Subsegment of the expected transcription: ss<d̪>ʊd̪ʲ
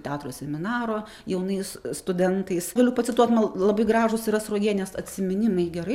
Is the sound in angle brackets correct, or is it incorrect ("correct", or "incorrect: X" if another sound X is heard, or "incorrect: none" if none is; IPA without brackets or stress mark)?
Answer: incorrect: t̪